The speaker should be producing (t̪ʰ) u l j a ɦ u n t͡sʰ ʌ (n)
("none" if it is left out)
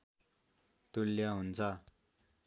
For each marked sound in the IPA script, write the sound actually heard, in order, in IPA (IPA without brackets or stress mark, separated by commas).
t̪, none